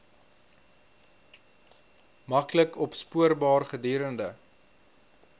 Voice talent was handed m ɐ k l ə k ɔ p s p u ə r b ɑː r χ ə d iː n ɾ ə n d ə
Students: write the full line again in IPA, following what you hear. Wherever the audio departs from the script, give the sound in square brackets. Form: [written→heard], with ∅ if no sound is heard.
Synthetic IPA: m ɐ k l ə k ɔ p s p u ə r b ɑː r χ ə d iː [n→∅] ɾ ə n d ə